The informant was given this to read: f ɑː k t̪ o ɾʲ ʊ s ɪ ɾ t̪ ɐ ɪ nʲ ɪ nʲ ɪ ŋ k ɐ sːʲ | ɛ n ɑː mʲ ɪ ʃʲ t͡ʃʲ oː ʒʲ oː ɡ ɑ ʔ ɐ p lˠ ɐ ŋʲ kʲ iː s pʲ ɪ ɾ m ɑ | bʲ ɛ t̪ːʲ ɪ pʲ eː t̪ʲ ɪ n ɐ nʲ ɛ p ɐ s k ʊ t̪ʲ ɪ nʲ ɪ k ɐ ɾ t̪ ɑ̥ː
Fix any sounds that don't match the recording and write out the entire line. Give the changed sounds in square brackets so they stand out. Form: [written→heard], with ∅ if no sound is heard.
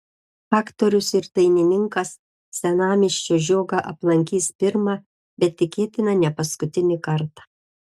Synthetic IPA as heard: f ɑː k t̪ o ɾʲ ʊ s ɪ ɾ t̪ ɐ ɪ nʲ ɪ nʲ ɪ ŋ k ɐ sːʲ | ɛ n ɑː mʲ ɪ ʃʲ t͡ʃʲ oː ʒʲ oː ɡ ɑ ʔ ɐ p lˠ ɐ ŋʲ kʲ iː s pʲ ɪ ɾ m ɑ | bʲ ɛ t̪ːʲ ɪ [pʲ→kʲ] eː t̪ʲ ɪ n ɐ nʲ ɛ p ɐ s k ʊ t̪ʲ ɪ nʲ ɪ k ɐ ɾ t̪ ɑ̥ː